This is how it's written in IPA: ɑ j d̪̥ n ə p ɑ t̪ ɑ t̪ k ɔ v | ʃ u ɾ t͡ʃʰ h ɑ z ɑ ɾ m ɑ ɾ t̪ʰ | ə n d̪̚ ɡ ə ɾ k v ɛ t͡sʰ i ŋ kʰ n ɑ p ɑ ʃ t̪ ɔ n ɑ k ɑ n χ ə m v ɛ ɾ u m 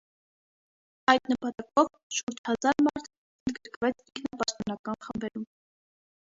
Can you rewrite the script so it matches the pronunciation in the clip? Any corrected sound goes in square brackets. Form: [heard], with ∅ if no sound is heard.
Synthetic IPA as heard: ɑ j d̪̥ n ə p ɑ t̪ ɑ [∅] k ɔ v | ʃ u ɾ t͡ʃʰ h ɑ z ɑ ɾ m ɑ ɾ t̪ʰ | ə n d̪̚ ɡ ə ɾ k v ɛ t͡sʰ i ŋ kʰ n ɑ p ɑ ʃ t̪ ɔ n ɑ k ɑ n χ ə m [b] ɛ ɾ u m